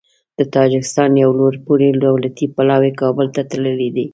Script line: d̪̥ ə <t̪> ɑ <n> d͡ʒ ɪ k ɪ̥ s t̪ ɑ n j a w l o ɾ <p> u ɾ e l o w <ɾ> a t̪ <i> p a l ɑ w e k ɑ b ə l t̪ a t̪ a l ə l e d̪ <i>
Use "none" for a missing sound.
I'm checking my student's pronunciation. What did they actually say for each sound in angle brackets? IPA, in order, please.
t̪, none, p, l, i, i

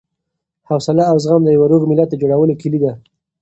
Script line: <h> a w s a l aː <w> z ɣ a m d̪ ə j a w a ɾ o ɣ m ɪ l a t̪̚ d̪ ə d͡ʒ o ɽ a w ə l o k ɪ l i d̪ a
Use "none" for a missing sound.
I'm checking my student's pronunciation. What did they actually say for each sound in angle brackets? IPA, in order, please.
h, w

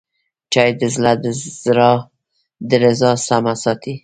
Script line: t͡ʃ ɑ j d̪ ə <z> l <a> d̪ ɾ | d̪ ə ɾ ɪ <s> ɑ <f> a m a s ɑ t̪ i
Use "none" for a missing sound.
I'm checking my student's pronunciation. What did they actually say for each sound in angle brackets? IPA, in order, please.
z, a, z, s

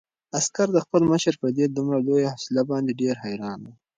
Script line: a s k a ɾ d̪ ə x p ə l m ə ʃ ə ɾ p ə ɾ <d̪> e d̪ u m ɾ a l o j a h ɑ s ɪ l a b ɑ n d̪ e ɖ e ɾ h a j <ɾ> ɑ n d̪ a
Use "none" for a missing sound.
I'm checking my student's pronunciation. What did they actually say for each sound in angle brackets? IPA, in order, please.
d̪, ɾ

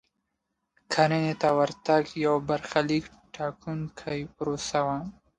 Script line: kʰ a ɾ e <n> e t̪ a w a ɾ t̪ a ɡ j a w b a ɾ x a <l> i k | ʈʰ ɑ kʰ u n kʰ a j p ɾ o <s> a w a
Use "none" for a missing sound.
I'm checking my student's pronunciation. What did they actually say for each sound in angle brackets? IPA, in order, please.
n, l, s

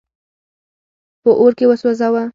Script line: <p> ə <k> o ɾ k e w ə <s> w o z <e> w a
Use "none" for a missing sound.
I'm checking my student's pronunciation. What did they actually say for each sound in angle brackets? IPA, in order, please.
p, ʔ, s, a

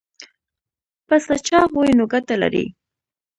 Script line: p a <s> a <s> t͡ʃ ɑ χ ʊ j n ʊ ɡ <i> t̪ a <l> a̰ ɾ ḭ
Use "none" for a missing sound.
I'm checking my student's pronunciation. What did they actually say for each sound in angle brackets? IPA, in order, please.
s, none, a, l

